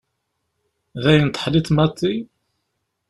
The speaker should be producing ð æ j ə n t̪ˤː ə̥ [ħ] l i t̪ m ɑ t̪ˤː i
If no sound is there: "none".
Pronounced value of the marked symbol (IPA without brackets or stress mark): ħ